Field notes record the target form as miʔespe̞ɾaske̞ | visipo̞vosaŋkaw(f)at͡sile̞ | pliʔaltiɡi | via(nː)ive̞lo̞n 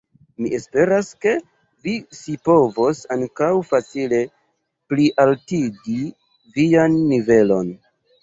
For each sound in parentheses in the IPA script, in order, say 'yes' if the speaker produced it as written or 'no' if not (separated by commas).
yes, yes